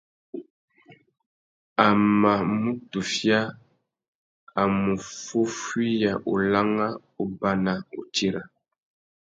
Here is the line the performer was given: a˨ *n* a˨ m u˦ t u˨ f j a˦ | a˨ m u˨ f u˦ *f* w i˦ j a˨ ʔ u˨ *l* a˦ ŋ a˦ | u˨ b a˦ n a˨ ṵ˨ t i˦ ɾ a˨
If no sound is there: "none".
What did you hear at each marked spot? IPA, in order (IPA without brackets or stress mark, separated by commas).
m, f, l